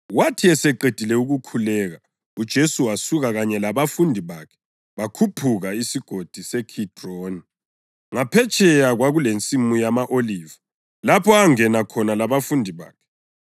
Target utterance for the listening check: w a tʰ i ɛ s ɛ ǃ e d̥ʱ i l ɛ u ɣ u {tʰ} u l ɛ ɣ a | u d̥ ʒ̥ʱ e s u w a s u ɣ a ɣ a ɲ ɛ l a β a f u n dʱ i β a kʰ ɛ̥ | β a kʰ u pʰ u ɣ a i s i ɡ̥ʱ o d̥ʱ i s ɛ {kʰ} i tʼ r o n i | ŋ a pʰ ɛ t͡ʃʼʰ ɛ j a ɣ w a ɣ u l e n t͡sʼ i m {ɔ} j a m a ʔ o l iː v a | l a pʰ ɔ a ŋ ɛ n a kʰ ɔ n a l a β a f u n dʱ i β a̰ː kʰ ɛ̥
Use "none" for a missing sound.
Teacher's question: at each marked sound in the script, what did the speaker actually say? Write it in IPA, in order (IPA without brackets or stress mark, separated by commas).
kʰ, kʰ, u